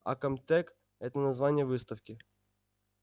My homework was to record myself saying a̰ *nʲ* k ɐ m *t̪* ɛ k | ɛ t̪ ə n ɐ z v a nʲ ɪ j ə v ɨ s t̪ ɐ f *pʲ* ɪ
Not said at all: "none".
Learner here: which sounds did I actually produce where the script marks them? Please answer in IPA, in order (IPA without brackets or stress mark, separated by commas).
none, t̪, kʲ